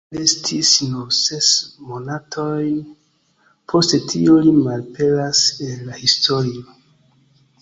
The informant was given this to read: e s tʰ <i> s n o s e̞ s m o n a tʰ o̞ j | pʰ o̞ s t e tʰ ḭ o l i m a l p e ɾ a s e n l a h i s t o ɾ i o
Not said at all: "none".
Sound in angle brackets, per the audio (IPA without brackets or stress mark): i